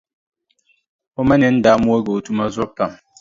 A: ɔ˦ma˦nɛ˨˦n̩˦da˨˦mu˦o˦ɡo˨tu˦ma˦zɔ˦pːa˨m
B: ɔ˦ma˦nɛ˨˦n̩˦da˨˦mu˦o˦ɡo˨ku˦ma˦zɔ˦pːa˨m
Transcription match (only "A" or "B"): A